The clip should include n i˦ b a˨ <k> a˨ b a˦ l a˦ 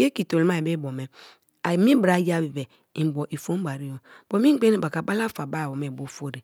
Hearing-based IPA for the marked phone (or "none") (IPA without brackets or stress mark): k